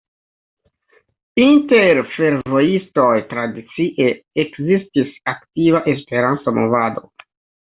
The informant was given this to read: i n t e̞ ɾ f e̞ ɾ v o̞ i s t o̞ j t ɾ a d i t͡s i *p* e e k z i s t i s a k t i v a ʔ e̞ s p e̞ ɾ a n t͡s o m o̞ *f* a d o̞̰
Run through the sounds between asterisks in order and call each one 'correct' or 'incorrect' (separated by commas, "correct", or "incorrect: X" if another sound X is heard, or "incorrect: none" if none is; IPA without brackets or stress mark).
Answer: incorrect: ʔ, incorrect: v